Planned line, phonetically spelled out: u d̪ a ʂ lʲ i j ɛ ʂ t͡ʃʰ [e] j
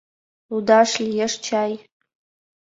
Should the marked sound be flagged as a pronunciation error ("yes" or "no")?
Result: yes